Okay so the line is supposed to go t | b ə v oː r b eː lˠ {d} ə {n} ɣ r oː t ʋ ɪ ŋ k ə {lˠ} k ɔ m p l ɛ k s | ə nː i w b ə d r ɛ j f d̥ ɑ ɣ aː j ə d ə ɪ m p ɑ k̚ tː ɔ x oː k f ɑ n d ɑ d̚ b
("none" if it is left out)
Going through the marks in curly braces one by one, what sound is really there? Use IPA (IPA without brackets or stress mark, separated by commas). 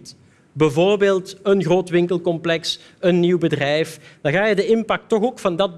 t, n, lˠ